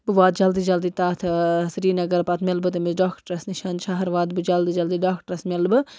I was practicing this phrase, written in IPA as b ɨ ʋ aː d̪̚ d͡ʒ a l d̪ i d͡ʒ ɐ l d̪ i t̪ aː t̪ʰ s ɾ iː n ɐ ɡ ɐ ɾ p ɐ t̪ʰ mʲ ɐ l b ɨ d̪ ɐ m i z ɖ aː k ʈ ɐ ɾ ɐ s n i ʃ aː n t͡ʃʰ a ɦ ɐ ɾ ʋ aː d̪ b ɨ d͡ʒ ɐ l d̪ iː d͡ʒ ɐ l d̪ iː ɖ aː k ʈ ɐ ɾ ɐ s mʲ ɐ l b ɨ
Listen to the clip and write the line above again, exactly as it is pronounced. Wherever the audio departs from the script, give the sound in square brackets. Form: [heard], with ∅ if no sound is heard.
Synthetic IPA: b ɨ ʋ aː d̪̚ d͡ʒ [ɐ] l d̪ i d͡ʒ ɐ l d̪ i t̪ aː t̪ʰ s ɾ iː n ɐ ɡ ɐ ɾ p ɐ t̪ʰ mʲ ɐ l b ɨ [t̪] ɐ m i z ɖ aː k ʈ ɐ ɾ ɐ s n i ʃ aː n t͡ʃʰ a ɦ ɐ ɾ ʋ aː d̪ b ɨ d͡ʒ ɐ l d̪ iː d͡ʒ ɐ l d̪ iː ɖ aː k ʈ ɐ ɾ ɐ s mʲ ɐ l b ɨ